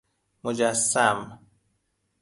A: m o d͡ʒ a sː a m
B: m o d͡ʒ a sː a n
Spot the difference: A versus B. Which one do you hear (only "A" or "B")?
A